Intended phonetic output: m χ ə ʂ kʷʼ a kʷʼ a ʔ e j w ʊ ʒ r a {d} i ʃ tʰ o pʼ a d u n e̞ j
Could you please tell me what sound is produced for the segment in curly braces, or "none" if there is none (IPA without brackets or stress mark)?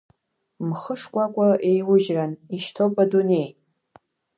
n